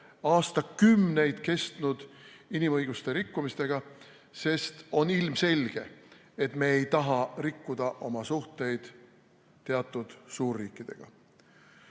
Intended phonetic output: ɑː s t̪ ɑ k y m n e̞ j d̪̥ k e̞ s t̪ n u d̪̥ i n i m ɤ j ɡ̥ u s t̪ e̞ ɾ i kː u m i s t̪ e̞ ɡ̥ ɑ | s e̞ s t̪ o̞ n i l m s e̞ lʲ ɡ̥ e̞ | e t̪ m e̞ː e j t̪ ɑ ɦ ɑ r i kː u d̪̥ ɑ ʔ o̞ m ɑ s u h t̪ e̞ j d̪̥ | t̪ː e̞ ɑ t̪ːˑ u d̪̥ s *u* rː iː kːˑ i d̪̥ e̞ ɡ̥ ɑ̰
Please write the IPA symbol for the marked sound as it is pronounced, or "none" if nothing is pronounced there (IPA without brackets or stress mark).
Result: uː